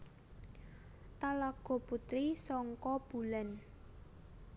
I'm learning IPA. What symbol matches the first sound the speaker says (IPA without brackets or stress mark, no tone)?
t̪